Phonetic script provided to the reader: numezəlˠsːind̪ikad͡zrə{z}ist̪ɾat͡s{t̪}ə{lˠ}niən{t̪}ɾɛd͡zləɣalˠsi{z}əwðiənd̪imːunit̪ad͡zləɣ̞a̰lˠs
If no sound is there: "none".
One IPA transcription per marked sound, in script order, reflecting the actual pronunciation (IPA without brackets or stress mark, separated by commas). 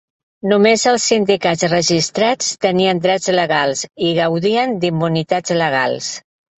ʒ, t̪, none, d̪, ɣ